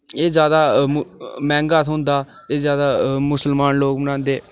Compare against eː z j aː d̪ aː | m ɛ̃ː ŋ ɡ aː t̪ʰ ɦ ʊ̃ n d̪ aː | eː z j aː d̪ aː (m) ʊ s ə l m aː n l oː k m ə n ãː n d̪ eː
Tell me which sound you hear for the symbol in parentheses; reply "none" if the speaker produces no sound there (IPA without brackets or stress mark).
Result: m